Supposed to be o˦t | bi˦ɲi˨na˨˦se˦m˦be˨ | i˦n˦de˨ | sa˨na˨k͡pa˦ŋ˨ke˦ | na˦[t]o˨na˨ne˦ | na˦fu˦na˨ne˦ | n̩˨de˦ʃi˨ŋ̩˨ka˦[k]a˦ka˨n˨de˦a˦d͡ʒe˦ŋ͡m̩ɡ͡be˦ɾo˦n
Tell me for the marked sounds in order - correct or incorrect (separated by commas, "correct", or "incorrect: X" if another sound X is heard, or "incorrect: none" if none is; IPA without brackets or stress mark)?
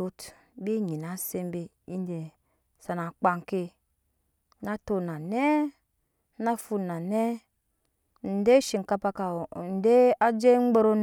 correct, incorrect: p